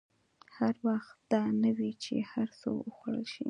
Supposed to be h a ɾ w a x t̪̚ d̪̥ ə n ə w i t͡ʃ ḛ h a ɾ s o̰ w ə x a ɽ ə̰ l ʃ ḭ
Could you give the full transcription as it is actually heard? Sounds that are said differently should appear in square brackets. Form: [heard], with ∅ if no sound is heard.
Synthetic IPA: h a ɾ w a x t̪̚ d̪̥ [ɑ] n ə w i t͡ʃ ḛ h a ɾ s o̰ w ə x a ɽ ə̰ l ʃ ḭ